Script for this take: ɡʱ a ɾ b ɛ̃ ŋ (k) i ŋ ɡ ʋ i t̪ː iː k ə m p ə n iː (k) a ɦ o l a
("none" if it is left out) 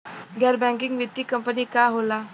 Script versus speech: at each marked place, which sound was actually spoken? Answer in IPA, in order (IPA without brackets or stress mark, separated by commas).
k, k